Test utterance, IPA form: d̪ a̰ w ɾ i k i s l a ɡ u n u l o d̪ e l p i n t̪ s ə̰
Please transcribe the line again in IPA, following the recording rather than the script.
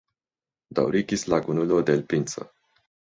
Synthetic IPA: d̪ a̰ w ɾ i k i s l a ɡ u n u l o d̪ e l p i n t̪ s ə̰